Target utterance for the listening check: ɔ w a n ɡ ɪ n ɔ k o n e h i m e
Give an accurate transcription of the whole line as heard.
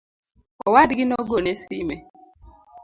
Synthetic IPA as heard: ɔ w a d ɡ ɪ n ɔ ɡ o n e s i m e